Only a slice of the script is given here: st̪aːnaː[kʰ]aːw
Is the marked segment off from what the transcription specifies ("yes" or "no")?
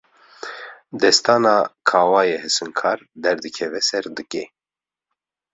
no